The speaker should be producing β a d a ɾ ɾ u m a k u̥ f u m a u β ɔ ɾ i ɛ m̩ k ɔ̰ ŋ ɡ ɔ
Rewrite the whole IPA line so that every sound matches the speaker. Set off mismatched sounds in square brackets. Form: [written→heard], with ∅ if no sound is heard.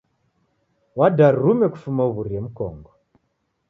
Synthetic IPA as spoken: [β→w] a d a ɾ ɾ u m [a→ɛ] k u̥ f u m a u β [ɔ→u] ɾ i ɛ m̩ k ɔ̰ ŋ ɡ ɔ